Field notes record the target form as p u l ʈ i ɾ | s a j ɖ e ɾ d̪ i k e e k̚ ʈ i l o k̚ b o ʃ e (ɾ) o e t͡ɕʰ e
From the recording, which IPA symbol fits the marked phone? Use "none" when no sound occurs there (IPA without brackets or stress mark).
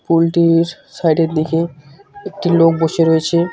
ɾ